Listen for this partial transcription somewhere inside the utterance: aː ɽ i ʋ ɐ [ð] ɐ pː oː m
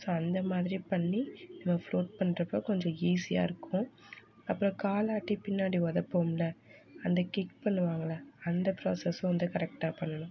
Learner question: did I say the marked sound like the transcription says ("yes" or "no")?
yes